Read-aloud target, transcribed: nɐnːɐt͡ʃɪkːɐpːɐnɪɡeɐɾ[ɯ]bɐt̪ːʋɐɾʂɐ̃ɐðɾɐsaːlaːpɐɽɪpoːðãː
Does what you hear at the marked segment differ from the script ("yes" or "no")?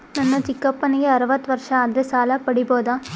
no